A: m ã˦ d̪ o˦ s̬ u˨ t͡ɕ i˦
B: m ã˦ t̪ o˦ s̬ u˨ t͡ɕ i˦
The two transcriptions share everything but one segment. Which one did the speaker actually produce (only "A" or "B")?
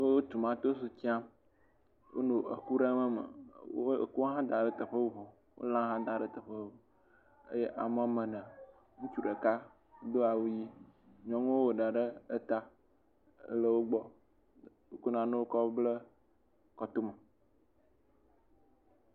B